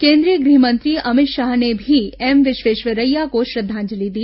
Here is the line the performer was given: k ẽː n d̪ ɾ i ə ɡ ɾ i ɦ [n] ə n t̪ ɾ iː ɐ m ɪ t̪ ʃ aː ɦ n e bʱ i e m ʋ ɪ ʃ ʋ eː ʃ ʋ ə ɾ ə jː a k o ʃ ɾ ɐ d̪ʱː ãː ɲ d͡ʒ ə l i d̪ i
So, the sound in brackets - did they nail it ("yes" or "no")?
no